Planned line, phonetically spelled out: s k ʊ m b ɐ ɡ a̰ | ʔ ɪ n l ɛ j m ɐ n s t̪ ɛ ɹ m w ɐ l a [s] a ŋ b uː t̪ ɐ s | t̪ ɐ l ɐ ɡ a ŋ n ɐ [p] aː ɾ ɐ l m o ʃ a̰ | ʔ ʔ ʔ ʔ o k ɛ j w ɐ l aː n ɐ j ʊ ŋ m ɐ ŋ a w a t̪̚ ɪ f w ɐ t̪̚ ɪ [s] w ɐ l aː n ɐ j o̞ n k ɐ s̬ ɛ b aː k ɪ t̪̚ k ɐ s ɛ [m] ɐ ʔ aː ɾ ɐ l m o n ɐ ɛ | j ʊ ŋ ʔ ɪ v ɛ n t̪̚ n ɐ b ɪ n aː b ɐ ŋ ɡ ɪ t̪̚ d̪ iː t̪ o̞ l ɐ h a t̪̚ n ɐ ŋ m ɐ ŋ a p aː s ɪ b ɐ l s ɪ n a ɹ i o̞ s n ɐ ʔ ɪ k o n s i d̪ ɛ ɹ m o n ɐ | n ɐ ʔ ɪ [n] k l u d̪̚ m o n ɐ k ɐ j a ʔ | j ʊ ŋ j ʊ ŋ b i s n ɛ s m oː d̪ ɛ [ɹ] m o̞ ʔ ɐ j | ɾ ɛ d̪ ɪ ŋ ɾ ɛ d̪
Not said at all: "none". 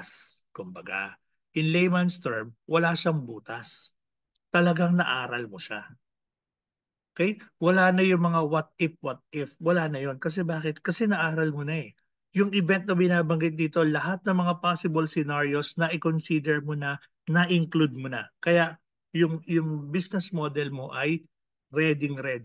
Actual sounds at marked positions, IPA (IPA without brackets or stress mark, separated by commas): ʃ, ʔ, f, n, ŋ, l